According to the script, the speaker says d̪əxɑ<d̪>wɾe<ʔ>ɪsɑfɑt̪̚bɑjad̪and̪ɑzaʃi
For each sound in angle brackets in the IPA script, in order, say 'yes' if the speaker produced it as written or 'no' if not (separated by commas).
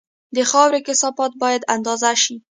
no, no